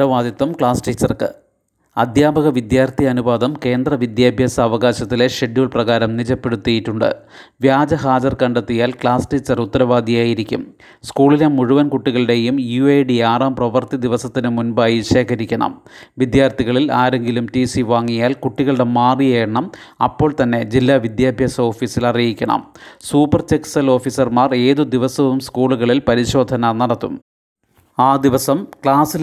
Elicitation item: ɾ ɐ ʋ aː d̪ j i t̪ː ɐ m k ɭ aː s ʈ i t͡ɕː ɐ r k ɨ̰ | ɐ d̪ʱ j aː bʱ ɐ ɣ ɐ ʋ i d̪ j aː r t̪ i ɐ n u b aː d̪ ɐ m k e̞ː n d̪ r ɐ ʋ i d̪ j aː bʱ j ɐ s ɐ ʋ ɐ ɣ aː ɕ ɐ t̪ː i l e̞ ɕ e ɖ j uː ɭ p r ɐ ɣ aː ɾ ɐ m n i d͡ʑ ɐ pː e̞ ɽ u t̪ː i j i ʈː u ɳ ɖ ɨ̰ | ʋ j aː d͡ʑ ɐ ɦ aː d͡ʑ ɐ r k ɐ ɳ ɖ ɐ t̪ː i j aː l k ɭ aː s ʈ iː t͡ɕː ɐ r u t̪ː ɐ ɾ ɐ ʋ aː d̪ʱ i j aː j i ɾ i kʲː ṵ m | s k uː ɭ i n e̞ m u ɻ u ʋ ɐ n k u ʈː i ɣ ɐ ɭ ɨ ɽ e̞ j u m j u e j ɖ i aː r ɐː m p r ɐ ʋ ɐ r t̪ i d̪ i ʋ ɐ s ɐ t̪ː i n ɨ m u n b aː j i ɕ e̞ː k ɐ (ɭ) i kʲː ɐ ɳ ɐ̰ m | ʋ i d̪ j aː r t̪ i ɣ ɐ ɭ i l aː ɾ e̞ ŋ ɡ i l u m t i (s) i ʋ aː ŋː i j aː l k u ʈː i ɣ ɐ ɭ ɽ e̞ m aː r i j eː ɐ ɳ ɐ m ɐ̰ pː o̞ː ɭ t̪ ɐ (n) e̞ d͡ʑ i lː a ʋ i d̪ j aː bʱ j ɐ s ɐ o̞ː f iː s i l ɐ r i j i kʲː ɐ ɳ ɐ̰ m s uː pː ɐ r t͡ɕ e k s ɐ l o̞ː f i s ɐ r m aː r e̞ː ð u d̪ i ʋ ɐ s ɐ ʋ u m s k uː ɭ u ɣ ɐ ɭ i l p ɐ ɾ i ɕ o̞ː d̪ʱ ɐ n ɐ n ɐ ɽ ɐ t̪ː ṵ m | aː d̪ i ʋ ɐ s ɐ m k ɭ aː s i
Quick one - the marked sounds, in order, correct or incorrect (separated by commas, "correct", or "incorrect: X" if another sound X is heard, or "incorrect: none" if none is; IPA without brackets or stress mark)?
incorrect: ɾ, correct, incorrect: nː